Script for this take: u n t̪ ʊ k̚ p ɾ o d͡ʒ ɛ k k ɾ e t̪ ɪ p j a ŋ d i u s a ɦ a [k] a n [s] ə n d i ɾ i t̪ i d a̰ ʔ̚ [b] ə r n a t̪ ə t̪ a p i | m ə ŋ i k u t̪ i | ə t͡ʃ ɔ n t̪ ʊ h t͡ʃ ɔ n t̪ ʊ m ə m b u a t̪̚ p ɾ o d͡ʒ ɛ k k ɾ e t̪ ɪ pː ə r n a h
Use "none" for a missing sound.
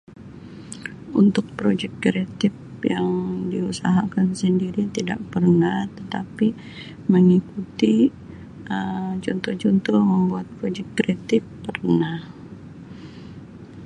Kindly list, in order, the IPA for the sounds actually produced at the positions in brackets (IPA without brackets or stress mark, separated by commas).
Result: k, s, p